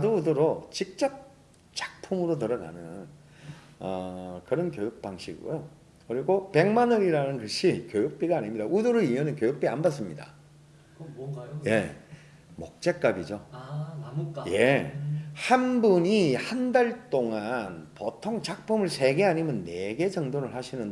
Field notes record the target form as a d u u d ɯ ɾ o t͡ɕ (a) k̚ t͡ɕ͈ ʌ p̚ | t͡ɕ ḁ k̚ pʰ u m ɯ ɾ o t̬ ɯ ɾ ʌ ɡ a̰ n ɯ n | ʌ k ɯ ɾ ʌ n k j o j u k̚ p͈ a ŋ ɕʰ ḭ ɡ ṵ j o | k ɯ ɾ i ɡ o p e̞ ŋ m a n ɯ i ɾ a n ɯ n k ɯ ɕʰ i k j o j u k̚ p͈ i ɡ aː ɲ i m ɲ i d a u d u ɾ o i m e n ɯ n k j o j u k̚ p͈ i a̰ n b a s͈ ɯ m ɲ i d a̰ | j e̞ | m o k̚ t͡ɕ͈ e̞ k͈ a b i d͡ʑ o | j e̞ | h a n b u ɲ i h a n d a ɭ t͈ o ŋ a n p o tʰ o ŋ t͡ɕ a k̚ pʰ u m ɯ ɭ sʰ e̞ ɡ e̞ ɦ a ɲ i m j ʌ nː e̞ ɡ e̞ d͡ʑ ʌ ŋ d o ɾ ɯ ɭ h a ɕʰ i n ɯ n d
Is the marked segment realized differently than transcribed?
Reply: yes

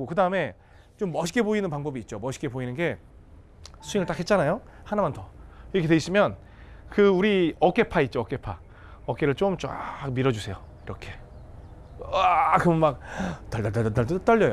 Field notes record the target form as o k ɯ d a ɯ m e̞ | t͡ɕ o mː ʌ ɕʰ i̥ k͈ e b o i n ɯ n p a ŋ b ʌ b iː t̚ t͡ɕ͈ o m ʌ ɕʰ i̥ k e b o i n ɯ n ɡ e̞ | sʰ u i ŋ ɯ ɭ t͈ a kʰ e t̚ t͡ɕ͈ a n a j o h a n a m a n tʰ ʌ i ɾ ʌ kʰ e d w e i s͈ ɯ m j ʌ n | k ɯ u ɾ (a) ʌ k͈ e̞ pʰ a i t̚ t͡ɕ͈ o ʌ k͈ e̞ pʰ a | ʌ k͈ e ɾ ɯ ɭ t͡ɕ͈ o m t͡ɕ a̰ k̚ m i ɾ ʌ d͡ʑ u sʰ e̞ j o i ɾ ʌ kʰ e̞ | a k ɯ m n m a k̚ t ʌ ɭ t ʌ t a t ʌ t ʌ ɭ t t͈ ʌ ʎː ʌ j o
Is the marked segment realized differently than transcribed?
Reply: yes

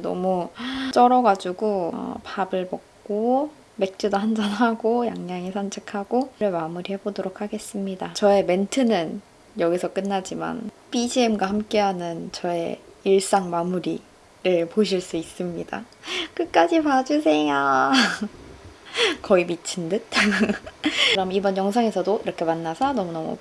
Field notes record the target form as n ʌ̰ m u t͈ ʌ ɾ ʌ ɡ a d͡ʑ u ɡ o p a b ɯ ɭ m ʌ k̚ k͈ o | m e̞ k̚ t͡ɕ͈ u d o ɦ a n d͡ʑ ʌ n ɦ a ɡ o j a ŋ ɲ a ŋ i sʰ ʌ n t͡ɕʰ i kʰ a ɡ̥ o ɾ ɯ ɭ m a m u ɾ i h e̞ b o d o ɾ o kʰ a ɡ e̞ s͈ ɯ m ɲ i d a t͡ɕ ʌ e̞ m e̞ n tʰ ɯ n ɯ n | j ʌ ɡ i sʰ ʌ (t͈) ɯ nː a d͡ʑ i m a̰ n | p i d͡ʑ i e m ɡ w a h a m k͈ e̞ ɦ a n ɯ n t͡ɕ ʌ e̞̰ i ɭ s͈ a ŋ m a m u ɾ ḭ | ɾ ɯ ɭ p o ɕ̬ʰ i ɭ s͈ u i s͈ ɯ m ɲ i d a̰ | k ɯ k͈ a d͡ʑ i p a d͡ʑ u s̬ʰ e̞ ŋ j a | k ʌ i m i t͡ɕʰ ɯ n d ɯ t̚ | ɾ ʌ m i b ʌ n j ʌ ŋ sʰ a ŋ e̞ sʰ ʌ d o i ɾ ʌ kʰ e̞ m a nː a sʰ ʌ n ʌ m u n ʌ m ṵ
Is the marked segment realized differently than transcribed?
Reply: yes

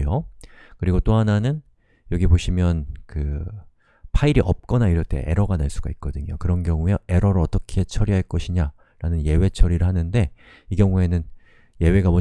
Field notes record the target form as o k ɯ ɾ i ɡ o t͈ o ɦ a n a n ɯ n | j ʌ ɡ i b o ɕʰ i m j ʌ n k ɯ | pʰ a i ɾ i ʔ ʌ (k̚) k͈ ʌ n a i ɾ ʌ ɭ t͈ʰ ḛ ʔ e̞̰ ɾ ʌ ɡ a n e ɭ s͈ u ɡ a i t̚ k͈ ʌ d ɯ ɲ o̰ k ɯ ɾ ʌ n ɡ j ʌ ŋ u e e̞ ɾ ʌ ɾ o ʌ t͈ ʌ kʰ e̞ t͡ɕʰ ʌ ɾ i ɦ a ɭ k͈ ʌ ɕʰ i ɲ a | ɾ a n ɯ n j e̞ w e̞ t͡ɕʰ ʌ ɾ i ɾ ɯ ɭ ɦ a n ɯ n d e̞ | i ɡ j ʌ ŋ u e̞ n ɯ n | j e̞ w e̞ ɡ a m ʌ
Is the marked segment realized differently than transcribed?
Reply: yes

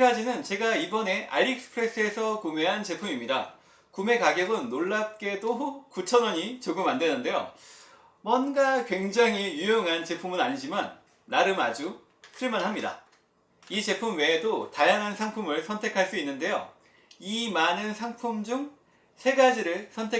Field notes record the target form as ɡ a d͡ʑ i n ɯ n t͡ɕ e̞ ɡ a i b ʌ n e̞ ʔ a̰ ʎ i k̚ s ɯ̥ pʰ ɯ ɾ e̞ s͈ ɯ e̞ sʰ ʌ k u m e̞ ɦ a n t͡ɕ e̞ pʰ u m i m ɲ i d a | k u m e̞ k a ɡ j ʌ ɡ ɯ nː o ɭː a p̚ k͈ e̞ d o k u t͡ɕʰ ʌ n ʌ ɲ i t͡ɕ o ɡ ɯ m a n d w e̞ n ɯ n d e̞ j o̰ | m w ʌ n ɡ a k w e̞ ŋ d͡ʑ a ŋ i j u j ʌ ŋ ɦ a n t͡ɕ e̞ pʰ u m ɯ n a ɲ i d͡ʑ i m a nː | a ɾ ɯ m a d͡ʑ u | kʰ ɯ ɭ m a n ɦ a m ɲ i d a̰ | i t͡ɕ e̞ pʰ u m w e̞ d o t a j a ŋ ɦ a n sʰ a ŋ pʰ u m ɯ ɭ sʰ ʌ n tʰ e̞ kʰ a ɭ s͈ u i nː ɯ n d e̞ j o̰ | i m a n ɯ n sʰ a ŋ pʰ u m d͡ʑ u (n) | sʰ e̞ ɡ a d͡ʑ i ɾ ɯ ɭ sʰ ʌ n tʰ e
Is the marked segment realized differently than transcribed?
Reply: yes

